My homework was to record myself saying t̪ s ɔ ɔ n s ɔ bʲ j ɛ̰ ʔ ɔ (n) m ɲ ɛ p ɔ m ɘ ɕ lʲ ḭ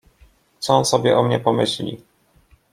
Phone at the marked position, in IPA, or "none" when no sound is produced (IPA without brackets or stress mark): none